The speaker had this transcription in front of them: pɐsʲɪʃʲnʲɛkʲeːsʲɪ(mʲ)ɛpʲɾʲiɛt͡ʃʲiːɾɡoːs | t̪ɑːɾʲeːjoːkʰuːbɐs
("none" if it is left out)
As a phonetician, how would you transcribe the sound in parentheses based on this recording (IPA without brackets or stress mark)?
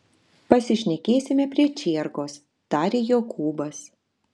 mʲ